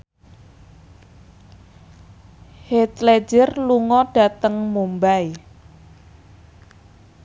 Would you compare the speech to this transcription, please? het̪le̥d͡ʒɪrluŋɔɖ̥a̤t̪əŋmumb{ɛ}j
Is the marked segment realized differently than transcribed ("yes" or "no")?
yes